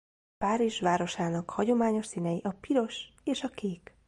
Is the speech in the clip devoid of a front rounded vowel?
yes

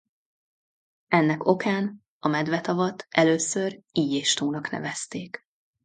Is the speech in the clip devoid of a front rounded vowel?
no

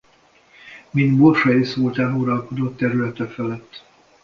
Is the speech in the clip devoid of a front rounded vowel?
no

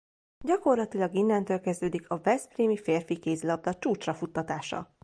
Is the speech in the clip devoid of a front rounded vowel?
no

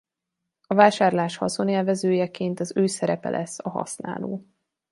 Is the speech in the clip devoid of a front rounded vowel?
no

